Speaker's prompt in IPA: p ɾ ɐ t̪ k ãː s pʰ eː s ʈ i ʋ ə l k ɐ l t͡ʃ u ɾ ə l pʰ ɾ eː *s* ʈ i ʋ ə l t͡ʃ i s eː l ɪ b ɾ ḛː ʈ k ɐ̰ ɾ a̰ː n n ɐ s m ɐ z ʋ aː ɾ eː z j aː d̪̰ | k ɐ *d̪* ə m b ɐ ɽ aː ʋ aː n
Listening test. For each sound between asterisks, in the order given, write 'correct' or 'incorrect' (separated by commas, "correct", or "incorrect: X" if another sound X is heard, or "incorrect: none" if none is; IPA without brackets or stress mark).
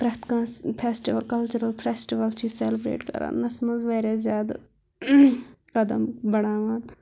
correct, correct